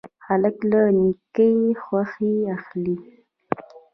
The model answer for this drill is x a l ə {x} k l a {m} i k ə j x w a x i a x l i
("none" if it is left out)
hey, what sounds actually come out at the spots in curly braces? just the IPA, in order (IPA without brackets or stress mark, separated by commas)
none, n